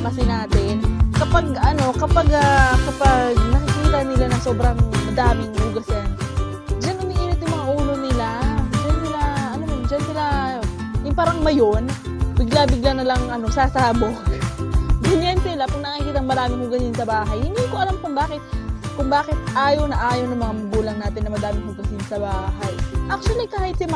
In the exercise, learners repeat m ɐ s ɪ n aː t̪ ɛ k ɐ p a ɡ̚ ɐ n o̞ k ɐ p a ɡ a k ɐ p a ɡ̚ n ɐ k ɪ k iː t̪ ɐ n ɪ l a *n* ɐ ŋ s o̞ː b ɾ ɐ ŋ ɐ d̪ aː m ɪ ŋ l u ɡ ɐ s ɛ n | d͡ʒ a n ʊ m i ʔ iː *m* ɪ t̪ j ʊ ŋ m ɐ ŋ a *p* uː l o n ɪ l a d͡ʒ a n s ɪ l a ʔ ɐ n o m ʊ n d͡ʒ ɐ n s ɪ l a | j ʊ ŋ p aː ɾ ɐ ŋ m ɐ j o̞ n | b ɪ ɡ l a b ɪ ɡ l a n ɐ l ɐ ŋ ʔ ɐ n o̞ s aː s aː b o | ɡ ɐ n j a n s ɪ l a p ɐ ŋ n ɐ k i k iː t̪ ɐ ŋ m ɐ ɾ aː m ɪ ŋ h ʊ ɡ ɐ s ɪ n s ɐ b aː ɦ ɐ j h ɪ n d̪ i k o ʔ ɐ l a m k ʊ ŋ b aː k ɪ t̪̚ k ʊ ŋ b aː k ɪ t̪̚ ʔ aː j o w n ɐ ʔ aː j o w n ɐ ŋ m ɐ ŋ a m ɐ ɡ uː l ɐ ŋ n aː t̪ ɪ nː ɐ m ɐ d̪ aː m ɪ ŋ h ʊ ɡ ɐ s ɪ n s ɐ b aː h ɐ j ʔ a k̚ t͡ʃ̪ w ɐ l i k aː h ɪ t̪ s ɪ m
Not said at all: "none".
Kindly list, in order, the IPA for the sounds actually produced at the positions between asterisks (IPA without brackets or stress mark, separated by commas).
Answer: n, n, ʔ